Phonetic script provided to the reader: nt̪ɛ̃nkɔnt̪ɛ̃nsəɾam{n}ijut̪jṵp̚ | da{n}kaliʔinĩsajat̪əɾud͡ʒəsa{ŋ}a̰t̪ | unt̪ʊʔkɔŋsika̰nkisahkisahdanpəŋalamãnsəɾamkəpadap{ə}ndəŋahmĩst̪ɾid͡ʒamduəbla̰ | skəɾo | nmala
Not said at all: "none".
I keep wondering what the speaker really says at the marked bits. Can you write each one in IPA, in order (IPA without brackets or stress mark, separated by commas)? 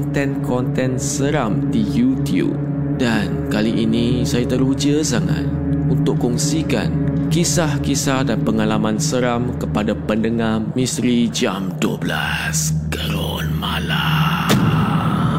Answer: d, n, ŋ, ə